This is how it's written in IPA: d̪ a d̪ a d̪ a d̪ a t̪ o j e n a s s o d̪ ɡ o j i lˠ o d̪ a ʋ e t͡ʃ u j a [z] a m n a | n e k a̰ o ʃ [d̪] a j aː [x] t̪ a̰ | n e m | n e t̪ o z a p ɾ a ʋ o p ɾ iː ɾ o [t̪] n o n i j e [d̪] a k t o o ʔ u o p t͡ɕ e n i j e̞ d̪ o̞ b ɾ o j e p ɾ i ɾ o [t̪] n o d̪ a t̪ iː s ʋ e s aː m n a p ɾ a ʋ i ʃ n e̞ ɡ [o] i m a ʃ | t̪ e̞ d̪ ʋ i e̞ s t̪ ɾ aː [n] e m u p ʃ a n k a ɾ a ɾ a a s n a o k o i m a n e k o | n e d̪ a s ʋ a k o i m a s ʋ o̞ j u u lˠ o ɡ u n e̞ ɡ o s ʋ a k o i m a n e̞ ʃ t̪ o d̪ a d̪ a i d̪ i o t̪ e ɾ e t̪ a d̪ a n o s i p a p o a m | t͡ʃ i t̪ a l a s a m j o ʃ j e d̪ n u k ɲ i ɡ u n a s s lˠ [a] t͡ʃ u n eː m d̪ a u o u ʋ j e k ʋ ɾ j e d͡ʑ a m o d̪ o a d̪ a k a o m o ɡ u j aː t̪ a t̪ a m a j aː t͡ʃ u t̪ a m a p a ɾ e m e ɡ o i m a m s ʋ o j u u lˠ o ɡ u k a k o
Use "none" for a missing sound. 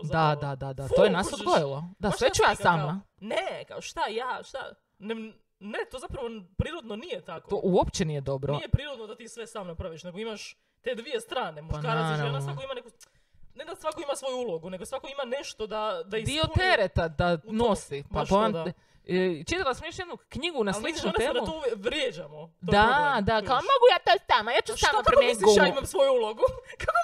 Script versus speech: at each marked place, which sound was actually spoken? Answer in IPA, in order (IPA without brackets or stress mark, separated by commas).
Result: s, t̪, ʃ, d̪, t̪, d̪, o, n, i